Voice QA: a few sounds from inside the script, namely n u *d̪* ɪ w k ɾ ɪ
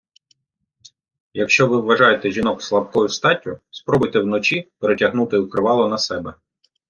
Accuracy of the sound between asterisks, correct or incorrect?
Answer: incorrect: t̪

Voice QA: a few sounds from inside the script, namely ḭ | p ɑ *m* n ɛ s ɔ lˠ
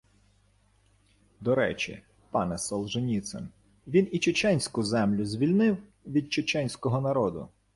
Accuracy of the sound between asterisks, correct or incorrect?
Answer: incorrect: none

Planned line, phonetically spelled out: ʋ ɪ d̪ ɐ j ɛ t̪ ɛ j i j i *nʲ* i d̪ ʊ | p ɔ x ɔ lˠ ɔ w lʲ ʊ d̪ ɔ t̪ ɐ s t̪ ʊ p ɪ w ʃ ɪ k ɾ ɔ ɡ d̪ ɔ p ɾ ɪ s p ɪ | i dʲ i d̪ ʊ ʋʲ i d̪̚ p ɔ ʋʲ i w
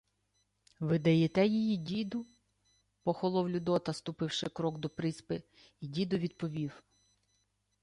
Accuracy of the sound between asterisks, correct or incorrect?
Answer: incorrect: dʲ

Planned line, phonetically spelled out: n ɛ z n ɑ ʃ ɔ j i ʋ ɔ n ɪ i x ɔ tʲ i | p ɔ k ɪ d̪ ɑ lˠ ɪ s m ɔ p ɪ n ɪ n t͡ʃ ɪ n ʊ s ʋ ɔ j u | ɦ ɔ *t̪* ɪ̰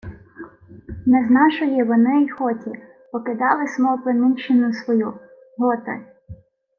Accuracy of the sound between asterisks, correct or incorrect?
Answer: correct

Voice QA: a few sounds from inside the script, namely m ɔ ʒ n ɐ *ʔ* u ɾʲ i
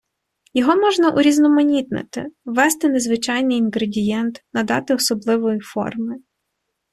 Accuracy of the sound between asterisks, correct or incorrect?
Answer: correct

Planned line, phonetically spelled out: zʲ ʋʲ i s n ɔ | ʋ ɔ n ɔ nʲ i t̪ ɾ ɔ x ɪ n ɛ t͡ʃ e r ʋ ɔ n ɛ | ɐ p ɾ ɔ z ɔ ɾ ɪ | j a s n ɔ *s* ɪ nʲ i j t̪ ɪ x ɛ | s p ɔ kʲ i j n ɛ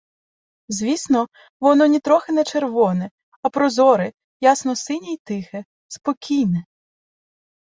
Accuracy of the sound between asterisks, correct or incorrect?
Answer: correct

